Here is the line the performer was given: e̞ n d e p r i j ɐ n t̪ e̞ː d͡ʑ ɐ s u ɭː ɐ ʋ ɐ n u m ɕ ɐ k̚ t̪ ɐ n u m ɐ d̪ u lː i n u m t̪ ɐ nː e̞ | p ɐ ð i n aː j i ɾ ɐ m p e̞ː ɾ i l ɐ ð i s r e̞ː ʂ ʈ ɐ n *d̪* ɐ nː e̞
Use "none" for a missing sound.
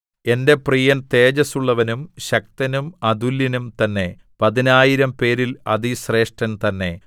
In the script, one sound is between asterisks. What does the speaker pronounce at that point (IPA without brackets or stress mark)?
t̪